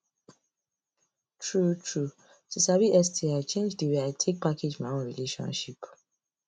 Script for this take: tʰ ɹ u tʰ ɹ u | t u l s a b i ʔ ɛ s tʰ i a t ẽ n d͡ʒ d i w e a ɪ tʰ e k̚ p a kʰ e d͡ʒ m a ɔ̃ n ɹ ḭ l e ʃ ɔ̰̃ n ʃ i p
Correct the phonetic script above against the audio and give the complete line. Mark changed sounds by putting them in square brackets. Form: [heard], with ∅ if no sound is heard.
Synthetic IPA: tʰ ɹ u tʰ ɹ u | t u [∅] s a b i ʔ ɛ s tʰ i a [t͡ʃ] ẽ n d͡ʒ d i w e a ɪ tʰ e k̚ p a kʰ e d͡ʒ m a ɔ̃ n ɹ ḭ l e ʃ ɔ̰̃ n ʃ i p